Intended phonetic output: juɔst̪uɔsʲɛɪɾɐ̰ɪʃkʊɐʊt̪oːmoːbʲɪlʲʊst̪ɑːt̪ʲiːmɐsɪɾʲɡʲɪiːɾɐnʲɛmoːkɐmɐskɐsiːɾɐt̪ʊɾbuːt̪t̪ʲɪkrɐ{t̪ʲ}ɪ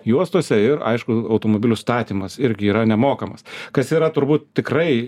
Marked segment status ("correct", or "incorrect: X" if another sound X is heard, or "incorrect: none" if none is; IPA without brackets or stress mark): incorrect: none